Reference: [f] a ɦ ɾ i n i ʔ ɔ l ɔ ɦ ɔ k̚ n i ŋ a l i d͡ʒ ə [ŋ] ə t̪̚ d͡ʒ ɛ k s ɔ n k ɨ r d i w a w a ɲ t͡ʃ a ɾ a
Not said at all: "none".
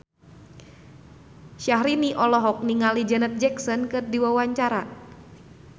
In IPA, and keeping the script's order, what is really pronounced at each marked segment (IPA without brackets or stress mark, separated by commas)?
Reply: ʃ, n